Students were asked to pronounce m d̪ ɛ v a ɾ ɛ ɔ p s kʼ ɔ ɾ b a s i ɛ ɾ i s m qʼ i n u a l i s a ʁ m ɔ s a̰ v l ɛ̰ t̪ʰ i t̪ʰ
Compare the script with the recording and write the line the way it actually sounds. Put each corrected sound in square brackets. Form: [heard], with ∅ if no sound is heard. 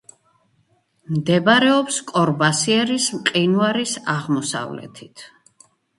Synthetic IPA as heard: m d̪ ɛ [b] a ɾ ɛ ɔ p s kʼ ɔ ɾ b a s i ɛ ɾ i s m qʼ i n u a [ɾ] i s a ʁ m ɔ s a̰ v l ɛ̰ t̪ʰ i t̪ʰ